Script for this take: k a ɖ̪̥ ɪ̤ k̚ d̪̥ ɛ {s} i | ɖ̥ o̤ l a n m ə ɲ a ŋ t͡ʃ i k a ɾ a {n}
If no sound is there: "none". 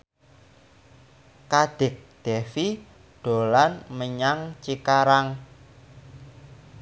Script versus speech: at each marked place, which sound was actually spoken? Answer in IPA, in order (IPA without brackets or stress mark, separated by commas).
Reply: f, ŋ